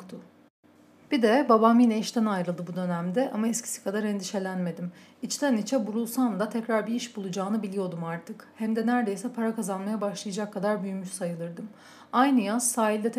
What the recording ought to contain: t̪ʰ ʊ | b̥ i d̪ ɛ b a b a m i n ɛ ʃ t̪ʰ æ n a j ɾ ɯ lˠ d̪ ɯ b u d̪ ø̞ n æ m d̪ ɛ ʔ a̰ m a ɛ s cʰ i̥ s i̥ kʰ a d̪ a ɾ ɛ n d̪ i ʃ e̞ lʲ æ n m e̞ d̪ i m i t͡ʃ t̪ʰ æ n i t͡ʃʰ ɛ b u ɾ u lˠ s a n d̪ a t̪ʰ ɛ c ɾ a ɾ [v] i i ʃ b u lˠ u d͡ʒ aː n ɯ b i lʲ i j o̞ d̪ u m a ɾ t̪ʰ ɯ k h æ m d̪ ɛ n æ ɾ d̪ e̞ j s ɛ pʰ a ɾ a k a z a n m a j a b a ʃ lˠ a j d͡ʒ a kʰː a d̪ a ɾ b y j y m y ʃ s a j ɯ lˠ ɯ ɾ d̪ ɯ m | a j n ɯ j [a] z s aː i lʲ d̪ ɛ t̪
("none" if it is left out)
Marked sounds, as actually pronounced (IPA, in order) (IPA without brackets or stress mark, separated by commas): b, a